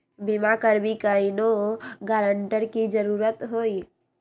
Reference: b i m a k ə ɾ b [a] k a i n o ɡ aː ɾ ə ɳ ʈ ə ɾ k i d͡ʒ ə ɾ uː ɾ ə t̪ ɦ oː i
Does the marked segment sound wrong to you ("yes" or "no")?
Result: yes